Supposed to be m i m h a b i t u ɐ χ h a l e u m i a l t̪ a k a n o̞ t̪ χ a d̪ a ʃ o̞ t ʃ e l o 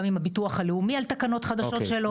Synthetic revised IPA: m i m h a b i t u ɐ χ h a l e u m i a l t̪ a k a n o̞ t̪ χ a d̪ a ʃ o̞ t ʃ e l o